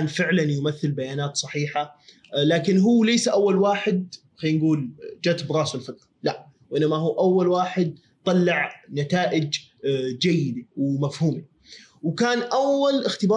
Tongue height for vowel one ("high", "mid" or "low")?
high